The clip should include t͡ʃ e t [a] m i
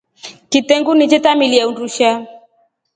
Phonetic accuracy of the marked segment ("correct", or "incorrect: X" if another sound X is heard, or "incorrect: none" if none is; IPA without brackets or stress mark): correct